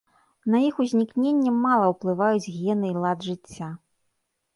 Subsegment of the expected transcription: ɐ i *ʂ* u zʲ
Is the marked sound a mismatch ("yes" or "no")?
yes